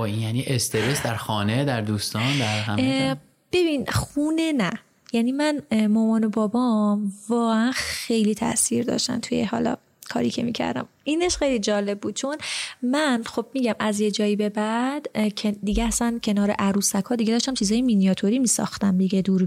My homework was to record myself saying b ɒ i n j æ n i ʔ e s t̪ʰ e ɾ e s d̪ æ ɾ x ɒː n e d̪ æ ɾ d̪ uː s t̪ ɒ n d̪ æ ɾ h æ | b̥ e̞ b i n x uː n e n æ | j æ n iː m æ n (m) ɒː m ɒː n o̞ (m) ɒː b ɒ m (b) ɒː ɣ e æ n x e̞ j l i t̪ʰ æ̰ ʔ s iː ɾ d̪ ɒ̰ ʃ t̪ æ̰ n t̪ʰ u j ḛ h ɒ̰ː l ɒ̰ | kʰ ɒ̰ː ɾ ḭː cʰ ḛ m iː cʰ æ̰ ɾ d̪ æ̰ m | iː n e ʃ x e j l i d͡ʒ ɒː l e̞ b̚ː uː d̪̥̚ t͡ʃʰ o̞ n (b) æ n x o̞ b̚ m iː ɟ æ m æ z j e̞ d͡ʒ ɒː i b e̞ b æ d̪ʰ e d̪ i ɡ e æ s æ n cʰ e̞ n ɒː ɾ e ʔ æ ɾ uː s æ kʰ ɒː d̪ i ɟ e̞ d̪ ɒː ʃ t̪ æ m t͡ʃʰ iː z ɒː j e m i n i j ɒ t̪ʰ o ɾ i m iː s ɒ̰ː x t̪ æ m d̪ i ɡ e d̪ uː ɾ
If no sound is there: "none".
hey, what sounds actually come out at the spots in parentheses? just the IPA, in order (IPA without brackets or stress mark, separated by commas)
m, b, v, m